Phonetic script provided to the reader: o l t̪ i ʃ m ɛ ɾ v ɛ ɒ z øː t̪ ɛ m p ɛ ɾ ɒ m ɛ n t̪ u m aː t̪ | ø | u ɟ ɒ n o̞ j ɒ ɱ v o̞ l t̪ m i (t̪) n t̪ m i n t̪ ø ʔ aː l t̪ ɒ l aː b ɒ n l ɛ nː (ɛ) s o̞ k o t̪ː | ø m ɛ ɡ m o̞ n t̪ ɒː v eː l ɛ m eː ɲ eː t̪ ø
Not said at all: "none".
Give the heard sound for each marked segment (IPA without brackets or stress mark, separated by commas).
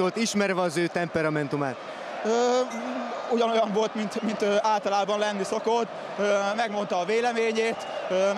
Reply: none, i